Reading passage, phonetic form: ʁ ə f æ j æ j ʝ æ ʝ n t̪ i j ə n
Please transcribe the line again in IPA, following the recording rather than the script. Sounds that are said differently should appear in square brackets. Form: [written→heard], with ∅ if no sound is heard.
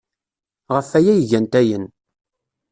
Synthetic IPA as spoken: ʁ ə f æ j æ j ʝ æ [ʝ→∅] n t̪ [i→æ] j ə n